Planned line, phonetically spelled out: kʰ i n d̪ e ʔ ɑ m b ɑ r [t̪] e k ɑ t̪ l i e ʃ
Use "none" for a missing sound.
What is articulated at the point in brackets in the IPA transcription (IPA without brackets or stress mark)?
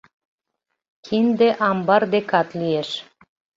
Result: d̪